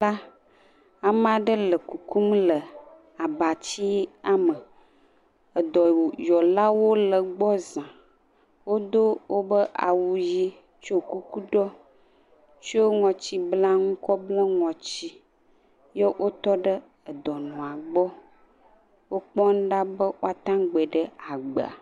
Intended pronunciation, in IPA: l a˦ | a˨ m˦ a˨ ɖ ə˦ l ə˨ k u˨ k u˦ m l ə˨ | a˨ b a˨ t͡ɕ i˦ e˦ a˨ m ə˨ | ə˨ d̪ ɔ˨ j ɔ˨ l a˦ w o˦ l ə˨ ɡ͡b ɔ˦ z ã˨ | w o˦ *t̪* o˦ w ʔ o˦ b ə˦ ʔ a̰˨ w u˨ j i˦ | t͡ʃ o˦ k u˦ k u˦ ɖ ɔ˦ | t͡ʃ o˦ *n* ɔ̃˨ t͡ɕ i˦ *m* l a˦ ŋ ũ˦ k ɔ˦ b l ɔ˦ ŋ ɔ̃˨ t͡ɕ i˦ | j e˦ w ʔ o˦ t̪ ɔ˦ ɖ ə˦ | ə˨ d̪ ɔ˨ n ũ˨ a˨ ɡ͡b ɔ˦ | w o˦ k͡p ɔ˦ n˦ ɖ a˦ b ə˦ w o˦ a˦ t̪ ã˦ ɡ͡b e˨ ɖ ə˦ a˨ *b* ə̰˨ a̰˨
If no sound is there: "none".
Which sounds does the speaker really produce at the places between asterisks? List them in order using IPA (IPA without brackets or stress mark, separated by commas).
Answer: d̪, ŋ, b, ɡ͡b